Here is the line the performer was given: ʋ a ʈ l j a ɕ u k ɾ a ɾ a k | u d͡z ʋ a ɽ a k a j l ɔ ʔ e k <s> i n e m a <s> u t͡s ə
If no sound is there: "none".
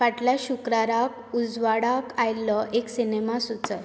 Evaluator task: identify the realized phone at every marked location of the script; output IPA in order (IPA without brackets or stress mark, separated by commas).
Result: s, s